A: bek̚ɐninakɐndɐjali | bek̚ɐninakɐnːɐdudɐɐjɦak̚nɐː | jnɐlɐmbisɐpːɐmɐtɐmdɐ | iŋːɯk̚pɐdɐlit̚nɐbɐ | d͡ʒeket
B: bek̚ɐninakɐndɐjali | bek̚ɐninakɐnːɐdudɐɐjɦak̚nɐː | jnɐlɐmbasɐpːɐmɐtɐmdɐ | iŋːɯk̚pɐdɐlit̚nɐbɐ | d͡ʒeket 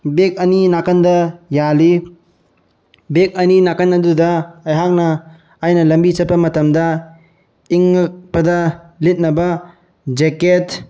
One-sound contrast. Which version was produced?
A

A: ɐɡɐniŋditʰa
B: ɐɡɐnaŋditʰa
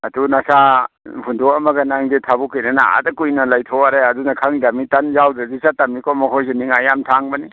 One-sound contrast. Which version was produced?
B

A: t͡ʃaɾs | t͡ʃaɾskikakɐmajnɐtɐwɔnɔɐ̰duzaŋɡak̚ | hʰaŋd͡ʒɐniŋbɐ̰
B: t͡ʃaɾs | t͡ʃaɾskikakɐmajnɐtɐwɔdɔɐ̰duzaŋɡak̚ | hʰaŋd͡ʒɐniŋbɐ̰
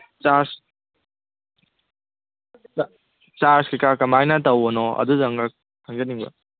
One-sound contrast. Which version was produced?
A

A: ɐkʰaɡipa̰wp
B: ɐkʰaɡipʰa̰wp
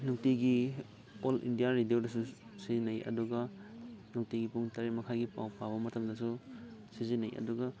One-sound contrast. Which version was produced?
A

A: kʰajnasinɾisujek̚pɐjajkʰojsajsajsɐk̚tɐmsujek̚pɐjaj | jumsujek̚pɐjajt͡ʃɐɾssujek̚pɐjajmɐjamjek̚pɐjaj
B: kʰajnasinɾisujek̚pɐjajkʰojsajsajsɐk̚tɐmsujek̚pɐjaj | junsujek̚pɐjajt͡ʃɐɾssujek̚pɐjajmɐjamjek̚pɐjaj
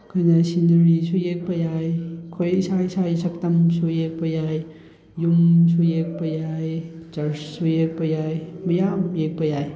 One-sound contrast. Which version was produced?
A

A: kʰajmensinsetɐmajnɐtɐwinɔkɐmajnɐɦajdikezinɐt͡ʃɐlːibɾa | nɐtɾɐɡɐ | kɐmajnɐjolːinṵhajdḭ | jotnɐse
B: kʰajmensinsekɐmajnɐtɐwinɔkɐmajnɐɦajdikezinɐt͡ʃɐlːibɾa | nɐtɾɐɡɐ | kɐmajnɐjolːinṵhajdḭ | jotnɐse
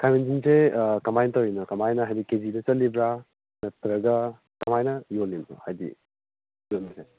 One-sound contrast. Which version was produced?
B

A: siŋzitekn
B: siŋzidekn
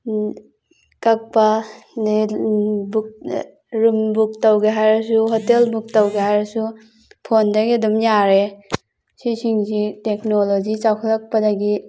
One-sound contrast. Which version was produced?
A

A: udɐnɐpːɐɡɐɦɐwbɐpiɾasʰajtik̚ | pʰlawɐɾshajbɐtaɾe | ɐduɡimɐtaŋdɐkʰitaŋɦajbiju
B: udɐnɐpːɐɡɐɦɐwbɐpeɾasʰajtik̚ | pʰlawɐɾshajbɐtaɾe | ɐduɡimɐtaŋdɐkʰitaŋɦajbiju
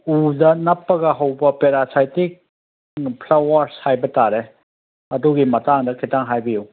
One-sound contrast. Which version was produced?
B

